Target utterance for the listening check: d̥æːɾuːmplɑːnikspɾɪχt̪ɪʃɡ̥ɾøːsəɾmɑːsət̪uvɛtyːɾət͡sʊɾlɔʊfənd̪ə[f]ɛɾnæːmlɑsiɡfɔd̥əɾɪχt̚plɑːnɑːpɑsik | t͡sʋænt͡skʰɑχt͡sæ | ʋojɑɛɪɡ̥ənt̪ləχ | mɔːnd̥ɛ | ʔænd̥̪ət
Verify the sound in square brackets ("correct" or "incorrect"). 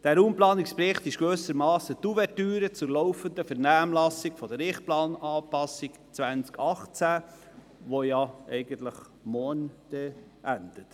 correct